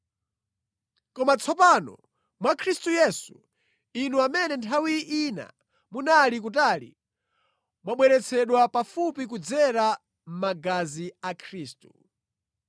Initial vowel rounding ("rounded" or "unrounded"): rounded